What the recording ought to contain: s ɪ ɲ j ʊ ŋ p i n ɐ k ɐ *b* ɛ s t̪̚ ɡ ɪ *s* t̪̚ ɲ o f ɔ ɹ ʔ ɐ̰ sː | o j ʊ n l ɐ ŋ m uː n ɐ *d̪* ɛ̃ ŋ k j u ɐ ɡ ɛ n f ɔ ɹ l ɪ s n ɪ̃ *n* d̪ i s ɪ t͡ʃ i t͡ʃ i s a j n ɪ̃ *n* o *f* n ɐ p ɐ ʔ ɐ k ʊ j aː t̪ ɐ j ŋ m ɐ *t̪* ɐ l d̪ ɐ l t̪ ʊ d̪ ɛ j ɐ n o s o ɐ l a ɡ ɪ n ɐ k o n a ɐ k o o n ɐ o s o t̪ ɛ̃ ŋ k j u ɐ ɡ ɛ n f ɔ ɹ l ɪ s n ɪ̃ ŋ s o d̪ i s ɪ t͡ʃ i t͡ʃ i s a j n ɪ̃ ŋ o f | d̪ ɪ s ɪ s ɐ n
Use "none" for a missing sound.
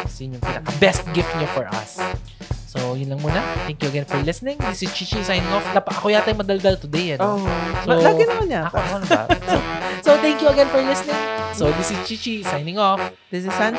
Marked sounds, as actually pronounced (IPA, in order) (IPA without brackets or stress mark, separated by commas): b, f, t̪, ŋ, ŋ, f, d̪